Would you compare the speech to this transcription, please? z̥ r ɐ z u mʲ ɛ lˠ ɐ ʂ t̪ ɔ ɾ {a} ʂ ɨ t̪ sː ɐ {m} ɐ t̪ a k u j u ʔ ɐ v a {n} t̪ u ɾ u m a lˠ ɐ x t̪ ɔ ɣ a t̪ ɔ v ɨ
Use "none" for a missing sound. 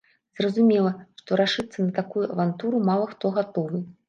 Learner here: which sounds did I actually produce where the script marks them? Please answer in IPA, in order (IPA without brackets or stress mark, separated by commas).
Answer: a, n, n